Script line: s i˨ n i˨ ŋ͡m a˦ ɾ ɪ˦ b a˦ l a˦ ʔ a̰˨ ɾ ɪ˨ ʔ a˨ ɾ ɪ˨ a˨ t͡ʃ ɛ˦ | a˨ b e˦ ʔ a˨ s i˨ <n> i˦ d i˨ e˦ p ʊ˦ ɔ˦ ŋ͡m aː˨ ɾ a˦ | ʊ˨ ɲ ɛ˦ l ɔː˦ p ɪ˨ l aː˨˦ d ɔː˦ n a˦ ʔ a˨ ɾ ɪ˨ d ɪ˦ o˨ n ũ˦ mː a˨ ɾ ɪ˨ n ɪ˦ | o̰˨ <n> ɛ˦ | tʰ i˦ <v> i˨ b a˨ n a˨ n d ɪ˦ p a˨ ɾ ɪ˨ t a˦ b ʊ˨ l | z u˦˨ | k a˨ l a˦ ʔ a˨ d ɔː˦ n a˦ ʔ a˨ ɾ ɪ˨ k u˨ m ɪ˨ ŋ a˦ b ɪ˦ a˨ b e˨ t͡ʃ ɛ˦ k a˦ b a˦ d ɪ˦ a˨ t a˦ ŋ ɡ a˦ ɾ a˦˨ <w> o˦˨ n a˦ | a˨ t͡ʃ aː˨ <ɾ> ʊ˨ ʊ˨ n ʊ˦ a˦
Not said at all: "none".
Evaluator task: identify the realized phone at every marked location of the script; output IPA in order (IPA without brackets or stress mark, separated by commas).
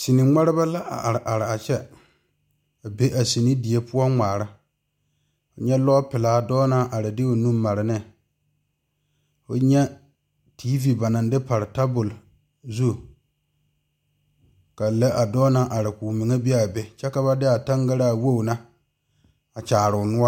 n, ɲ, v, w, ɾ